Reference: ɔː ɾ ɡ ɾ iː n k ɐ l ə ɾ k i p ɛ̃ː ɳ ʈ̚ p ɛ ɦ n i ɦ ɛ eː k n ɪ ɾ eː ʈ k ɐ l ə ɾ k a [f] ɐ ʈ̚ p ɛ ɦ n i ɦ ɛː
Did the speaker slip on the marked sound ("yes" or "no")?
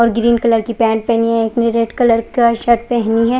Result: yes